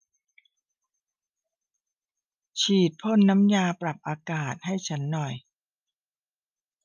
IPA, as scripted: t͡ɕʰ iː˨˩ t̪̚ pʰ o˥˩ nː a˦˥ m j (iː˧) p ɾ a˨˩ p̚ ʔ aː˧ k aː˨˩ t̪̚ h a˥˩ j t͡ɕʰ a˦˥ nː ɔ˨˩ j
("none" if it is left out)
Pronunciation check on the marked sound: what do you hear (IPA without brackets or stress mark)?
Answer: aː˧